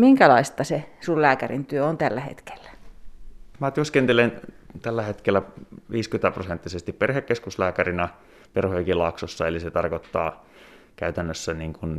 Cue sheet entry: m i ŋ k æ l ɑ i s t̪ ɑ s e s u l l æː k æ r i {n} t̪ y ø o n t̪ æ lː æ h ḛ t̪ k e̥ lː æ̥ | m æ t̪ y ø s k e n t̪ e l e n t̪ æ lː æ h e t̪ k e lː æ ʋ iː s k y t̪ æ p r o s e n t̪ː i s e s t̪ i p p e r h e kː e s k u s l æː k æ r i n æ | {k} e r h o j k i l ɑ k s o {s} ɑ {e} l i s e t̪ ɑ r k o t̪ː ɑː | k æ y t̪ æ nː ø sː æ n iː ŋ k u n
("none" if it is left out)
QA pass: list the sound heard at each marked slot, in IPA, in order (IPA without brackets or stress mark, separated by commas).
n, p, sː, e